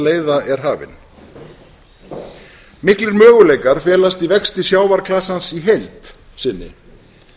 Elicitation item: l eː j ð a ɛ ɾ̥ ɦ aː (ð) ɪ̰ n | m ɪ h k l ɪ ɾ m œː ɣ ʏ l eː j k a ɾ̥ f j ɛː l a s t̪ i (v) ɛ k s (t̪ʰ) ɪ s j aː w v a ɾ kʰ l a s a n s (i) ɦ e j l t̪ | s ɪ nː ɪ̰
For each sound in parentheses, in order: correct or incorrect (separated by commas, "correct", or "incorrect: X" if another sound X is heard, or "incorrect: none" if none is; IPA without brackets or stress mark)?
incorrect: v, correct, incorrect: t̪, correct